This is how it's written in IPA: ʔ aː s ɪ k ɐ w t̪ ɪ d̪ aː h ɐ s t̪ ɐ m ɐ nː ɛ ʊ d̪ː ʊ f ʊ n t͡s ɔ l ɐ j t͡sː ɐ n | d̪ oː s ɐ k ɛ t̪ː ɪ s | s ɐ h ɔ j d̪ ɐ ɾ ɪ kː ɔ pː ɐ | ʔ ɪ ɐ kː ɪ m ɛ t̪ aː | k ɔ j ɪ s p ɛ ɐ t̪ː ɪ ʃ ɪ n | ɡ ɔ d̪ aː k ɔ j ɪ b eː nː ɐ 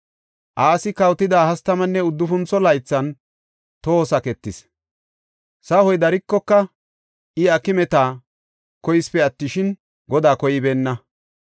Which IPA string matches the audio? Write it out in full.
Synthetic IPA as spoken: ʔ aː s ɪ k ɐ w t̪ ɪ d̪ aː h ɐ s t̪ ɐ m ɐ nː ɛ ʊ d̪ː ʊ f ʊ n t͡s ɔ l ɐ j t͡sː ɐ n | t̪ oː s ɐ k ɛ t̪ː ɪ s | s ɐ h ɔ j d̪ ɐ ɾ ɪ kː ɔ kː ɐ | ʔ ɪ ɐ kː ɪ m ɛ t̪ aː | k ɔ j ɪ s p ɛ ɐ t̪ː ɪ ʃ ɪ n | ɡ ɔ d̪ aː k ɔ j ɪ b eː nː ɐ